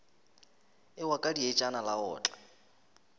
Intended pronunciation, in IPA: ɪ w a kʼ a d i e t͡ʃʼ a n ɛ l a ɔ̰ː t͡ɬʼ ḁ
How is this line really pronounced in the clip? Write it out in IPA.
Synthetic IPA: ɪ w a kʼ a d i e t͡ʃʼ a n a l a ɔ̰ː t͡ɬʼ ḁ